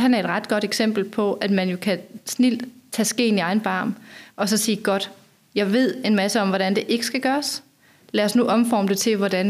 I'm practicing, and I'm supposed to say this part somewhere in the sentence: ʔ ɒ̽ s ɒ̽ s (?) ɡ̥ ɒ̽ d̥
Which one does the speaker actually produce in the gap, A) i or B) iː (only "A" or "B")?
B